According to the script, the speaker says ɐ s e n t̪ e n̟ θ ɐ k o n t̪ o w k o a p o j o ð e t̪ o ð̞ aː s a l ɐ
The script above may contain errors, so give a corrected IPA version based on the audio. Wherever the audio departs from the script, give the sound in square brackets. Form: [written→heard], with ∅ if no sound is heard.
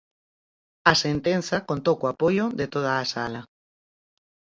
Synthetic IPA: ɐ s e n t̪ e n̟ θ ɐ k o n t̪ o w k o a p o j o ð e t̪ o ð̞ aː s a l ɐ